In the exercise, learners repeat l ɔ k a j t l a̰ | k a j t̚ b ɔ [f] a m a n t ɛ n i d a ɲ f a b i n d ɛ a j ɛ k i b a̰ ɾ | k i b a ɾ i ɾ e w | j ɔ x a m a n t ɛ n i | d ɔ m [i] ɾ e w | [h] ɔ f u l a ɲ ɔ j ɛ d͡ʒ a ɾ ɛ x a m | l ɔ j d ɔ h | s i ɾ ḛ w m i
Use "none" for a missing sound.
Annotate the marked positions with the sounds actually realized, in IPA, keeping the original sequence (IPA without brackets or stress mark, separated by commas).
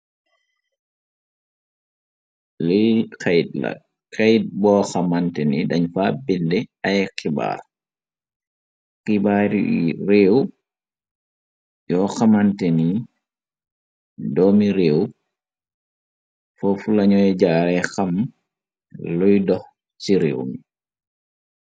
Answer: x, i, f